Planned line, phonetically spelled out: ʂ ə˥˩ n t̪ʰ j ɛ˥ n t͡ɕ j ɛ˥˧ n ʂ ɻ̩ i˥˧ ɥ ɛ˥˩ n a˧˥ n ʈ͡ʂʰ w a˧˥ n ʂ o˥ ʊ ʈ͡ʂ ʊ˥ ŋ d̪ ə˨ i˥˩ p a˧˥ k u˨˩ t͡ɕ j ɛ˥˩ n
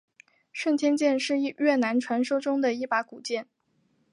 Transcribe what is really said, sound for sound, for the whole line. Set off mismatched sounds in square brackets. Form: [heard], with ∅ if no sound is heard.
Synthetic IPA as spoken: ʂ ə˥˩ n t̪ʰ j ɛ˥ n t͡ɕ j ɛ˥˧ n ʂ ɻ̩ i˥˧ ɥ ɛ˥˩ n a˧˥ n ʈ͡ʂʰ w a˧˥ n ʂ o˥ ʊ ʈ͡ʂ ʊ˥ ŋ d̪ ə˨ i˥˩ p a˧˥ k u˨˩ t͡ɕ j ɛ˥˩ n